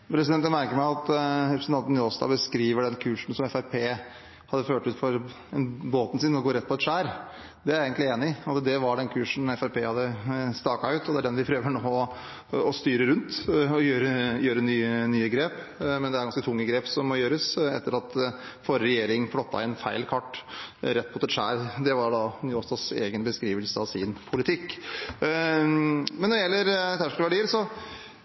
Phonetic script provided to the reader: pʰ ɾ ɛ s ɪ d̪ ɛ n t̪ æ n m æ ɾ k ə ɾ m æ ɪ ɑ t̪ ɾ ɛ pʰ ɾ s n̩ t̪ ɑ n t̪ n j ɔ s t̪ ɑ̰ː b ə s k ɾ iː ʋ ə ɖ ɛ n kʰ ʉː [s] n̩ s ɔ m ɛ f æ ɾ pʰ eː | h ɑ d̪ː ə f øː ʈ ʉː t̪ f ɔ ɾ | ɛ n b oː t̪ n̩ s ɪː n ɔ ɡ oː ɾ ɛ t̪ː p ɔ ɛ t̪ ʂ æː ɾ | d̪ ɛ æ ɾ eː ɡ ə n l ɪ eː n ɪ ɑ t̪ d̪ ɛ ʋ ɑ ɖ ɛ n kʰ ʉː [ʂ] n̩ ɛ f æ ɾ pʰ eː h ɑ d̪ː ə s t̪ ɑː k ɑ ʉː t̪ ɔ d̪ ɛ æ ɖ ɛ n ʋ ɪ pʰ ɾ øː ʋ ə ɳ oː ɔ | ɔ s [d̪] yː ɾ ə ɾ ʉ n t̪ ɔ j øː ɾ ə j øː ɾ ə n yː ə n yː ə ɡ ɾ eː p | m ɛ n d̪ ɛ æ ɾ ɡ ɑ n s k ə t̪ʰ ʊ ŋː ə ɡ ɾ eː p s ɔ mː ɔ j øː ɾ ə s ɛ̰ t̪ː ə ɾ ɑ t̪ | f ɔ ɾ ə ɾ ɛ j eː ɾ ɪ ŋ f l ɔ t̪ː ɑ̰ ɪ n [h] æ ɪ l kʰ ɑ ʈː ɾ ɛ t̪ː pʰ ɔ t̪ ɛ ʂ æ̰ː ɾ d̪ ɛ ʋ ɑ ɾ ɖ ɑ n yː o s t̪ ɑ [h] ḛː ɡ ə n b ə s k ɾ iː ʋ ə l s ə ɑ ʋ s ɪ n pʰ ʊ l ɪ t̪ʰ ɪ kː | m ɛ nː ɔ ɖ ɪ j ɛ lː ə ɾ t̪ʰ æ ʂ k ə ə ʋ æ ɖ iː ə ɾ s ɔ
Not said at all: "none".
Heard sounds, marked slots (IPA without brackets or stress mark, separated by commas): ʂ, ʂ, t̪, f, s